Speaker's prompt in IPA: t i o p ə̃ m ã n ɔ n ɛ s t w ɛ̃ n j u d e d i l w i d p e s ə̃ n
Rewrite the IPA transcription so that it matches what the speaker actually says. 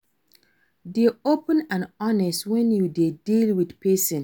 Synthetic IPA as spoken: d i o p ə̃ n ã n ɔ n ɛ s t w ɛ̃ n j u d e d i l w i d p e s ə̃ n